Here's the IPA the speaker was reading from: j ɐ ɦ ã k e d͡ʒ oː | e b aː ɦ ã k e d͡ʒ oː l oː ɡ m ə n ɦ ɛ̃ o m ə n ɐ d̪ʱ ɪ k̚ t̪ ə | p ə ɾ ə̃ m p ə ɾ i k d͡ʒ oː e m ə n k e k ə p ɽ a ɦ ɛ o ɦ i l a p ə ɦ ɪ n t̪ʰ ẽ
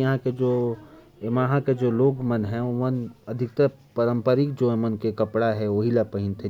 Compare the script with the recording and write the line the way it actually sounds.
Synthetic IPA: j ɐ ɦ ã k e d͡ʒ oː | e m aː ɦ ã k e d͡ʒ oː l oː ɡ m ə n ɦ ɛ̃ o m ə n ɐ d̪ʱ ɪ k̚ t̪ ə | p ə ɾ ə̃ m p ə ɾ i k d͡ʒ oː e m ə n k e k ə p ɽ a ɦ ɛ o ɦ i l a p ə ɦ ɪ n t̪ʰ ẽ

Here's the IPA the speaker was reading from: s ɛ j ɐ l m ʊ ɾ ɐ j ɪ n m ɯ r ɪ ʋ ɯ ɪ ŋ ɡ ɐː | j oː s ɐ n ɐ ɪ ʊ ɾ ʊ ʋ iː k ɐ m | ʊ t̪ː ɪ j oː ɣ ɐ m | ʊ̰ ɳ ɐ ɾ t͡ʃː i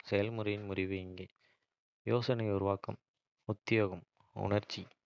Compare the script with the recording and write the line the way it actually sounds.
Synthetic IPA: s ɛ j ɐ l m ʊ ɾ ɐ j ɪ n m ʊ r ɪ ʋ ɯ ɪ ŋ ɡ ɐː | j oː s ɐ n ɐ ɪ ʊ ɾ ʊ ʋ aː k ɐ m | ʊ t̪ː ɪ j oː ɣ ɐ m | ʊ̰ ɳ ɐ ɾ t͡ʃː i

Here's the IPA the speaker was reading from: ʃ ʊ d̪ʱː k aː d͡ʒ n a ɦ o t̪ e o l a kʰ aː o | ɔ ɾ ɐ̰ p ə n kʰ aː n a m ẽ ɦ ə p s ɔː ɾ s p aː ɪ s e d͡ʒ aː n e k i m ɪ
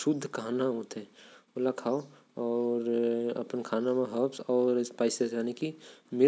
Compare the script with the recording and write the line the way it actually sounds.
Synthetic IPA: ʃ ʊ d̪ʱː k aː n a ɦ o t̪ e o l a kʰ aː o | ɔ ɾ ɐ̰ p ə n kʰ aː n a m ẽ ɦ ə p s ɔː ɾ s p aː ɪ s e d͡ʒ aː n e k i m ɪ

